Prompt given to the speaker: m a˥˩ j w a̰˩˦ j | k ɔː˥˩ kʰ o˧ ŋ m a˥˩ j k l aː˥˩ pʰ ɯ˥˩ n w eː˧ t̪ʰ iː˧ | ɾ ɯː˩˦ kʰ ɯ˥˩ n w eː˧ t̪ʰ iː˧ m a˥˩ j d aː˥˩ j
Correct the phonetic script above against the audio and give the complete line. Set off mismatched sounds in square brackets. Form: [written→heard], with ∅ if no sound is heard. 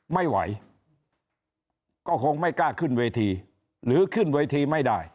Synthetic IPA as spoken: m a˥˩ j w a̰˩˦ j | k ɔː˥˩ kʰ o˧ ŋ m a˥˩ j k l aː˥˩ [pʰ→kʰ] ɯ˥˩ n w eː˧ t̪ʰ iː˧ | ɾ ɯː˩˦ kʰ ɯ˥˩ n w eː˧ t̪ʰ iː˧ m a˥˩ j d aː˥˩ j